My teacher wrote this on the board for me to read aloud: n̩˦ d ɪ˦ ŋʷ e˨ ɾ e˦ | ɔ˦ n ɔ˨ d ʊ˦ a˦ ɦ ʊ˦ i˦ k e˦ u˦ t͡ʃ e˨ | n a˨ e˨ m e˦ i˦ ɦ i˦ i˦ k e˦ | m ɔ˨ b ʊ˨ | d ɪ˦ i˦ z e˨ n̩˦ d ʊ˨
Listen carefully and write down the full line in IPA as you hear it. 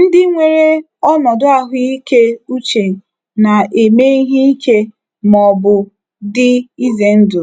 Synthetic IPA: n̩˦ d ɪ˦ ŋʷ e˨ ɾ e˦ | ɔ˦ n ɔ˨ d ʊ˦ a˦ ɦ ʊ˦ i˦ k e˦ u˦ t͡ʃ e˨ | n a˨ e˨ m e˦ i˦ ɦ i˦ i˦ k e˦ | m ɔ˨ b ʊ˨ | d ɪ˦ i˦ z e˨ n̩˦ d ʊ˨